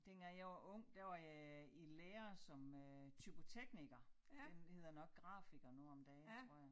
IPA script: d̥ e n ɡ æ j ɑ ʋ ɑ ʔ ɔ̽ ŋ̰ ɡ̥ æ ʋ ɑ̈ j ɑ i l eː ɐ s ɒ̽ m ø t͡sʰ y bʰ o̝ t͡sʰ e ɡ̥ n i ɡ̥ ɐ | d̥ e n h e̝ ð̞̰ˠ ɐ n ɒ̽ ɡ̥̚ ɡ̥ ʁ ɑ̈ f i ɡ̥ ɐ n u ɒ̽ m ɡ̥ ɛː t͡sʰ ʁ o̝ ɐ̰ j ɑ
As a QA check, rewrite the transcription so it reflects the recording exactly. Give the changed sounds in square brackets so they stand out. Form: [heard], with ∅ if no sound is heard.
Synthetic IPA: d̥ e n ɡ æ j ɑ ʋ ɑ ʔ ɔ̽ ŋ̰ [d̥] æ ʋ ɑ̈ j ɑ i l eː ɐ s ɒ̽ m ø t͡sʰ y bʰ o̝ t͡sʰ e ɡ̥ n i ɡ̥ ɐ | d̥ e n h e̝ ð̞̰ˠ ɐ n ɒ̽ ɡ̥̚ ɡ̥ ʁ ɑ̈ f i ɡ̥ ɐ n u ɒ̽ m [d̥] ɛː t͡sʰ ʁ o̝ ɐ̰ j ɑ

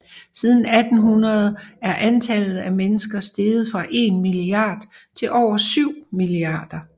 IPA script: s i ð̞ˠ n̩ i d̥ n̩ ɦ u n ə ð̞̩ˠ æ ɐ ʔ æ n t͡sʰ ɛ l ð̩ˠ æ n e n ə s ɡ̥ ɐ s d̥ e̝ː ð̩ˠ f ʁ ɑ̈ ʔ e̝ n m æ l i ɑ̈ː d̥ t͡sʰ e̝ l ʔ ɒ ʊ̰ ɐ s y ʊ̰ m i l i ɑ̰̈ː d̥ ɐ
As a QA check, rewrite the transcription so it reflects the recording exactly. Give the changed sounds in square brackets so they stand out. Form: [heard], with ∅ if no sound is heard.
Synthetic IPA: s i ð̞ˠ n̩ [æ] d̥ n̩ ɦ u n [ɐ] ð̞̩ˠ æ ɐ ʔ æ n t͡sʰ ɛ l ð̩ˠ æ [m] e n ə s ɡ̥ ɐ s d̥ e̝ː ð̩ˠ f ʁ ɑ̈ ʔ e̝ n m [i] l i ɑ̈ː d̥ t͡sʰ e̝ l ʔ ɒ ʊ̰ ɐ s y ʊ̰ m i l i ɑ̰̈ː d̥ ɐ

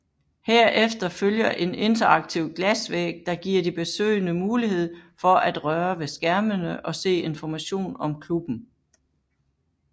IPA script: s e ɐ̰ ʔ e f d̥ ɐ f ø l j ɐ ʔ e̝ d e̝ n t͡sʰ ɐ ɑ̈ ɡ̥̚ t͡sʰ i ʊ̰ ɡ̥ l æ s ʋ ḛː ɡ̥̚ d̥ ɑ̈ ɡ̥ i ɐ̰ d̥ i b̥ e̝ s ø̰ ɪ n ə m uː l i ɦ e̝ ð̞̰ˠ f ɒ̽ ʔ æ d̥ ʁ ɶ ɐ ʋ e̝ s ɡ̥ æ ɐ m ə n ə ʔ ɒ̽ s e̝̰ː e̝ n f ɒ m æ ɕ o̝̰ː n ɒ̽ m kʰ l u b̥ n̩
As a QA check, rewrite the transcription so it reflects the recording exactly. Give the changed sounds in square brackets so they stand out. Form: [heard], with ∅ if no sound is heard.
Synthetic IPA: [h] e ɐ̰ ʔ e f d̥ ɐ f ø l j ɐ ʔ e̝ [n] e̝ n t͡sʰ ɐ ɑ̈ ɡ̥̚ t͡sʰ i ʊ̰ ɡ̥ l æ s ʋ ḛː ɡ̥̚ d̥ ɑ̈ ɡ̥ i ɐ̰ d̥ i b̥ e̝ s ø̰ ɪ n ə m uː l i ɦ e̝ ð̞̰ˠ f ɒ̽ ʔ æ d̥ ʁ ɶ ɐ ʋ e̝ s ɡ̥ æ ɐ m ə n ə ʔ ɒ̽ s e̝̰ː e̝ n f ɒ m æ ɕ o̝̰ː n ɒ̽ m kʰ l u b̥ n̩

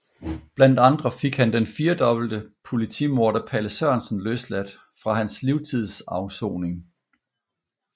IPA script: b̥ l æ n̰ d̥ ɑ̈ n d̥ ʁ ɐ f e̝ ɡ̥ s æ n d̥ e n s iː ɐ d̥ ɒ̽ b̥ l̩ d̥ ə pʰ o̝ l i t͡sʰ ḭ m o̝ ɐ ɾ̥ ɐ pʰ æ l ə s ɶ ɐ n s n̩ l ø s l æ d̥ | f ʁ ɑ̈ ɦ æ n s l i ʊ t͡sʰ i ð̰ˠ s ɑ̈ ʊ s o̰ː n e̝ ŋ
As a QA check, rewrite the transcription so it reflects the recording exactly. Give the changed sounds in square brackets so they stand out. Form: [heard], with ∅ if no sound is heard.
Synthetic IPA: b̥ l æ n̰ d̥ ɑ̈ n d̥ ʁ ɐ f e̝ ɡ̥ [h] æ n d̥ e n [f] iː ɐ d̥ ɒ̽ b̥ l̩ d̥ ə pʰ o̝ l i t͡sʰ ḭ m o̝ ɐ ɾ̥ ɐ pʰ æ l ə s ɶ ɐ n s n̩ l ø s l æ d̥ | f ʁ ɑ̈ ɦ æ n s l i ʊ t͡sʰ i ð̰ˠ s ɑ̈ ʊ s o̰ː n e̝ ŋ

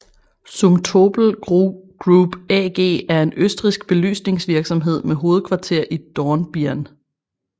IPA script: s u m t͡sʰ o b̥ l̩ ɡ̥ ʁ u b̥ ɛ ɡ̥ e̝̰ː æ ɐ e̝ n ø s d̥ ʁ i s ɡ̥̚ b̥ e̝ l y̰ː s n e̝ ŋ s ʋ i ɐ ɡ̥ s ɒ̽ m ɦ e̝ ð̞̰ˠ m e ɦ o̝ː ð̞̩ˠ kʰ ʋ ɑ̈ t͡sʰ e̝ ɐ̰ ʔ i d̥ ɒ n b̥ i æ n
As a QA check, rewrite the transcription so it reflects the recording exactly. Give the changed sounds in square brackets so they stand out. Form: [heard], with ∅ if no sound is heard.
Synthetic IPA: s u m t͡sʰ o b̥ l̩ ɡ̥ ʁ u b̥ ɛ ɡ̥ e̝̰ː æ ɐ e̝ n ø s d̥ ʁ i s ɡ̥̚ b̥ e̝ l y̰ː s n e̝ ŋ s ʋ i ɐ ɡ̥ s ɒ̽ m ɦ e̝ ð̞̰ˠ m e ɦ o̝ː ð̞̩ˠ kʰ ʋ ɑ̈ t͡sʰ e̝ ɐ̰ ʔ i d̥ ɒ n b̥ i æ n

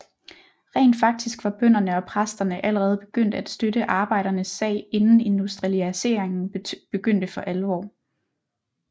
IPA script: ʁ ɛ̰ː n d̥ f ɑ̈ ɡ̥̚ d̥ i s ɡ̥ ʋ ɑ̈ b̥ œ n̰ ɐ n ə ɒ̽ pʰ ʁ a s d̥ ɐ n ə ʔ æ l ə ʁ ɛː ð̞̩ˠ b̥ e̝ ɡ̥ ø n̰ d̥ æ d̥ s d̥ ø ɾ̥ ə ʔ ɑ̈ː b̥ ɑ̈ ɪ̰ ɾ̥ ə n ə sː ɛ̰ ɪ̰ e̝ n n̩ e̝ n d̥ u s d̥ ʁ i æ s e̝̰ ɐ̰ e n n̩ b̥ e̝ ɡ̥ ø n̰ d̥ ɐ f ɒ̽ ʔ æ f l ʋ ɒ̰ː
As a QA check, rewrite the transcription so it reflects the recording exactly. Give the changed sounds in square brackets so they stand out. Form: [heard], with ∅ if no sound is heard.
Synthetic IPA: ʁ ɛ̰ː n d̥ f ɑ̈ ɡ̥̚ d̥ i s ɡ̥ ʋ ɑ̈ b̥ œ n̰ ɐ n ə ɒ̽ pʰ ʁ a s d̥ ɐ n ə ʔ æ l ə ʁ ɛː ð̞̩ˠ b̥ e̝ ɡ̥ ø n̰ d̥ æ d̥ s d̥ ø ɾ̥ ə ʔ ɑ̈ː b̥ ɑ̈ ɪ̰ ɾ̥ [ɐ] n ə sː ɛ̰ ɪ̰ e̝ n n̩ e̝ n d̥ u s d̥ ʁ i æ s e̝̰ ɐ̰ e [ŋ] n̩ b̥ e̝ ɡ̥ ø n̰ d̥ [ə] f ɒ̽ ʔ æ [∅] l ʋ ɒ̰ː

